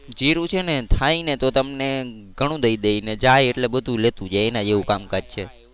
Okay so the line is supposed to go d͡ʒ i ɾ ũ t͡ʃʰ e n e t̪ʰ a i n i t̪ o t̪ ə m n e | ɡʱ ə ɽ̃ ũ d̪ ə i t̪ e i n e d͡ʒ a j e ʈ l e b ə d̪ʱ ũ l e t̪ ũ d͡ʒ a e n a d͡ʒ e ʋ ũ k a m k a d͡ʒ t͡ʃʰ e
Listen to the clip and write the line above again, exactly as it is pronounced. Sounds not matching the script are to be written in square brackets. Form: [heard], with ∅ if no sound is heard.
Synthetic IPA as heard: d͡ʒ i ɾ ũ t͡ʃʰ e n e t̪ʰ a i n [e] t̪ o t̪ ə m n e | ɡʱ ə ɽ̃ ũ d̪ ə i [d̪] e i n e d͡ʒ a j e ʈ l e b ə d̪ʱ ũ l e t̪ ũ d͡ʒ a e n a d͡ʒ e ʋ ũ k a m k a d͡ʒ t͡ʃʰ e